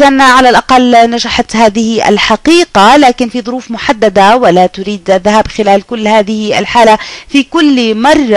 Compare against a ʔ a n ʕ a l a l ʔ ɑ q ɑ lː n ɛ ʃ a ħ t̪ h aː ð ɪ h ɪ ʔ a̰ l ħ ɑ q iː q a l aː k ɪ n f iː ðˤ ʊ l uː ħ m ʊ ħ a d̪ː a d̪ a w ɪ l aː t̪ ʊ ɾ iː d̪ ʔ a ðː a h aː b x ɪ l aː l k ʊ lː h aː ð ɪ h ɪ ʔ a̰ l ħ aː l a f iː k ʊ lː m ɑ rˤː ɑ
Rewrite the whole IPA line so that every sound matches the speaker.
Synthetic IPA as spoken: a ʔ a n ʕ a l a l ʔ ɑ q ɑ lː n a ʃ a ħ t̪ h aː ð ɪ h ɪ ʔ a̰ l ħ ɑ q iː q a l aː k ɪ n f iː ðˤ ʊ ɾ uː f m ʊ ħ a d̪ː a d̪ a w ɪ l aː t̪ ʊ ɾ iː d̪ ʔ a ðː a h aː b x ɪ l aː l k ʊ lː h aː ð ɪ h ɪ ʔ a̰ l ħ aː l a f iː k ʊ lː m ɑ rˤː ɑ